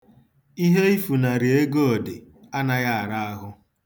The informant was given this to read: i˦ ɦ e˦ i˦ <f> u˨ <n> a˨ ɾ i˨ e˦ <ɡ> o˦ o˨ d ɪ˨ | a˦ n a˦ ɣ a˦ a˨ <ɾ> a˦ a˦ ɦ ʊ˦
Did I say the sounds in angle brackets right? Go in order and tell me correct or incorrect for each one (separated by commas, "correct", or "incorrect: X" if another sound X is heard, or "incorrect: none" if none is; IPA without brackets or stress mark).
correct, correct, correct, correct